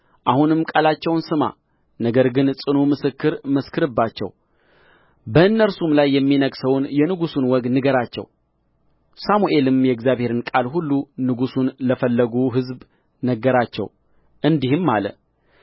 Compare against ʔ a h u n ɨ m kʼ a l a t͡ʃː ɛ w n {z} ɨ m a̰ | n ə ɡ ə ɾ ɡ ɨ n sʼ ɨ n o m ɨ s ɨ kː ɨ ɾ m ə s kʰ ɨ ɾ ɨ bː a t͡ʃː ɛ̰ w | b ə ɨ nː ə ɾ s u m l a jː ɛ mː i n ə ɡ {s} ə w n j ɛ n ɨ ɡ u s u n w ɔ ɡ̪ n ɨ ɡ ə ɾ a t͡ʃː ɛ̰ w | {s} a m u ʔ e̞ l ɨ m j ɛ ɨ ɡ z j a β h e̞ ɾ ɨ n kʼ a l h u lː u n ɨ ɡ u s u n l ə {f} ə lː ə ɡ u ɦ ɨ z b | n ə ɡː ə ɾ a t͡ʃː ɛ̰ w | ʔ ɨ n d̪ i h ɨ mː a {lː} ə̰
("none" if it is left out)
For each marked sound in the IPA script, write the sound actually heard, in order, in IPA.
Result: s, s, s, f, l

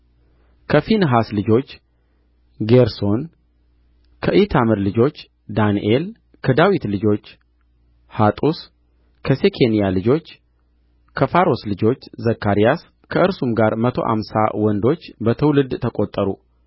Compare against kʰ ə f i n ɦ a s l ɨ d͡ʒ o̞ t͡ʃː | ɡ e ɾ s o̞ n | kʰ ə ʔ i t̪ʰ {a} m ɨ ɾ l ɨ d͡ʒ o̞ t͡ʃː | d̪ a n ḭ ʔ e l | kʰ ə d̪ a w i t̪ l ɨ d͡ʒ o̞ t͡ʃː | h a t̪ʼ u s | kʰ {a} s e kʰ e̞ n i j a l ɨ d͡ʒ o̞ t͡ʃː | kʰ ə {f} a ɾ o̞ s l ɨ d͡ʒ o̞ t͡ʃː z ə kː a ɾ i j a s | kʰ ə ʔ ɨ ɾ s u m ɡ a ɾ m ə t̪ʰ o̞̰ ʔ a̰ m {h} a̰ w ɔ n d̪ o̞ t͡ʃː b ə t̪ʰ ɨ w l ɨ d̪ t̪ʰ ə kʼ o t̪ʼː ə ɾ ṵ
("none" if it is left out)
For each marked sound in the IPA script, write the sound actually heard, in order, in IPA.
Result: a, ə, f, s

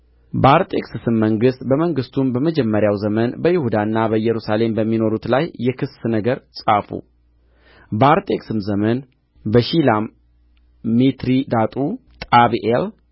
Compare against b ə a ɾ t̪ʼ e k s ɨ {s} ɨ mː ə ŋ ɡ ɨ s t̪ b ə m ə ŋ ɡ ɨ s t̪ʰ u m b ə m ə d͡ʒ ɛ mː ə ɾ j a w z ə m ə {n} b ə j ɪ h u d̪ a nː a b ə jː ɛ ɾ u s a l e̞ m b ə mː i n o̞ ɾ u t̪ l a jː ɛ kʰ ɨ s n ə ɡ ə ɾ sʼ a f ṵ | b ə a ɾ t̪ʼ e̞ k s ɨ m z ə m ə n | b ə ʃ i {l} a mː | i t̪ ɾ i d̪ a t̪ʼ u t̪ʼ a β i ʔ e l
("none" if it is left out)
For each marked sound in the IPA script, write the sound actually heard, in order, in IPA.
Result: s, n, l

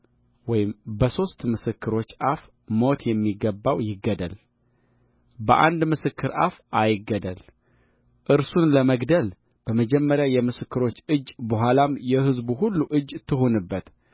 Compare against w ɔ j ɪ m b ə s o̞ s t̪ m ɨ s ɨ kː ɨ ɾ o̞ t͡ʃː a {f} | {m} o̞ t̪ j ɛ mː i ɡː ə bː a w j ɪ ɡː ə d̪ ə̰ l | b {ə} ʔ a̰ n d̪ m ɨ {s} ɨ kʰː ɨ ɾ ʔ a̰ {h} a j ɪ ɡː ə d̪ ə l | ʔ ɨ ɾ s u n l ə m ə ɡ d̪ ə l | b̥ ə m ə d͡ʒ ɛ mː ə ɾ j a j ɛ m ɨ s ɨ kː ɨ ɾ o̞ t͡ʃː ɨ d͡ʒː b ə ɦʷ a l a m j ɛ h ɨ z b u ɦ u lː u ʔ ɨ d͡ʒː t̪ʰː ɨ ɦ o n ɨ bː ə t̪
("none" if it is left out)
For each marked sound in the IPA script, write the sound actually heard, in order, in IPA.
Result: f, m, ə, s, f

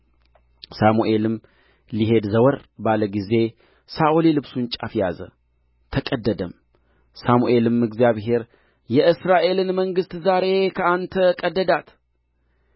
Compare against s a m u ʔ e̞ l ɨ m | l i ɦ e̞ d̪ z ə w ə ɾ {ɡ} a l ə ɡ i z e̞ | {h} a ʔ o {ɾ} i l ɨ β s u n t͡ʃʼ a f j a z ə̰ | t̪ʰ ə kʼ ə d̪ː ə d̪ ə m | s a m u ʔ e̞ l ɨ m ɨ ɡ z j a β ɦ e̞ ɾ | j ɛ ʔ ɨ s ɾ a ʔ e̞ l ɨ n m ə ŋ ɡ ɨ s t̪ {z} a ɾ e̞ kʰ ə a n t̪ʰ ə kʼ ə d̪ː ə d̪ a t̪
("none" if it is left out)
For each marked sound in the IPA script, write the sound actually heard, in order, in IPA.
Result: b, s, l, z

